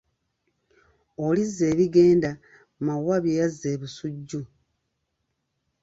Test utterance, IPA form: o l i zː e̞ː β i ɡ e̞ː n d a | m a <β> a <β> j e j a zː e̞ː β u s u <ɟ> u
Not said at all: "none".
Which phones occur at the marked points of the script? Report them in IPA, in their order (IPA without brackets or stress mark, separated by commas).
w, β, ɟː